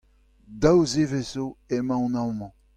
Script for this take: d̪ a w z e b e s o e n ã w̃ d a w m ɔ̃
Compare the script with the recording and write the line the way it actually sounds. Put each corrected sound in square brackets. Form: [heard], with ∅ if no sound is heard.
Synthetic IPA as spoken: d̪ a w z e [v] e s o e [m] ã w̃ [n] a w m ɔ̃